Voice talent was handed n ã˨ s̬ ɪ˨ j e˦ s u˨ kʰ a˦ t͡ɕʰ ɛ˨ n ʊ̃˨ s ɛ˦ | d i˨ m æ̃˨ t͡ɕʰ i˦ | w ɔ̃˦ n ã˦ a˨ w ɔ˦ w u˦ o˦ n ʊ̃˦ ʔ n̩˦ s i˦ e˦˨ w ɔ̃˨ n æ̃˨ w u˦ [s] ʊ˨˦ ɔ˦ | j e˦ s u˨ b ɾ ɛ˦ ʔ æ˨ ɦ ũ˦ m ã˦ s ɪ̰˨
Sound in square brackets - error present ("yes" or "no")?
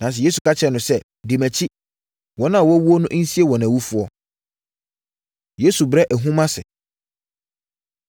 yes